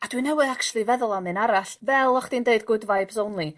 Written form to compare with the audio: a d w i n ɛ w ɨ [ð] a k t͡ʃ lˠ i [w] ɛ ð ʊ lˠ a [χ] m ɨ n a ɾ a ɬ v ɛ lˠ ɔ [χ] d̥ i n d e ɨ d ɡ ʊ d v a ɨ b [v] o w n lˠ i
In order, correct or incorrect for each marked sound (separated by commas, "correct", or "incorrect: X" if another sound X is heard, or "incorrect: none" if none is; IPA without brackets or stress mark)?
correct, incorrect: v, incorrect: none, correct, incorrect: z